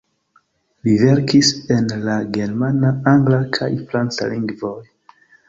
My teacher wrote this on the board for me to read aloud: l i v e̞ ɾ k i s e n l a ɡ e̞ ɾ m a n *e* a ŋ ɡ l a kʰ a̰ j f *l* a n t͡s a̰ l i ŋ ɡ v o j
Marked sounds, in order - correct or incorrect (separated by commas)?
incorrect, incorrect